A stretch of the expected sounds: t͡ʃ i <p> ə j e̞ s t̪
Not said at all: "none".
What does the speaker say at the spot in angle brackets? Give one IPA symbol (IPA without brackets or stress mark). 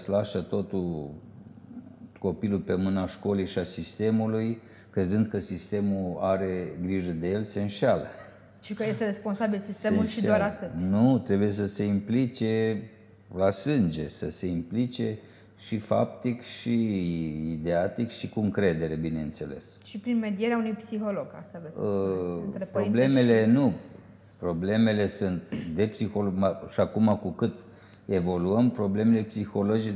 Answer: k